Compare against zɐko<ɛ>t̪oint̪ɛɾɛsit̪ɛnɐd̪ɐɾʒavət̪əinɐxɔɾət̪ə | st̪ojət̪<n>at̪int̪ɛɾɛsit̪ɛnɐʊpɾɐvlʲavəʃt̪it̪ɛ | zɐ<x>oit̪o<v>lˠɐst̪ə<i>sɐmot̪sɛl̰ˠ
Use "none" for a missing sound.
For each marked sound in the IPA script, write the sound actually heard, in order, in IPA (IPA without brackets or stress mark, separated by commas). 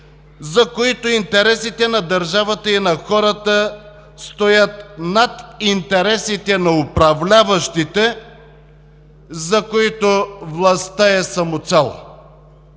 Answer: i, n, k, v, ɛ